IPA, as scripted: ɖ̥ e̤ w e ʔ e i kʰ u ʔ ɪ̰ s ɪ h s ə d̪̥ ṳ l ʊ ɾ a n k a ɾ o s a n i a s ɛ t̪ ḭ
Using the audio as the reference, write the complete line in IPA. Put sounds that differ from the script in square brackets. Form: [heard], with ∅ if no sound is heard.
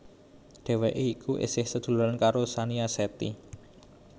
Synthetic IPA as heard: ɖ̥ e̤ w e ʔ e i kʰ u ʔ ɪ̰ s ɪ h s ə d̪̥ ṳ l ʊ ɾ a n k a ɾ o s a n i a s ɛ t̪ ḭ